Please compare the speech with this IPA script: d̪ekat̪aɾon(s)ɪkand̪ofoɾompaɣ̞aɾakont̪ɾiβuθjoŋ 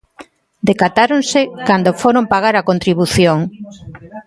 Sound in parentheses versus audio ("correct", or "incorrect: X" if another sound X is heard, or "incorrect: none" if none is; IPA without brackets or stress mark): correct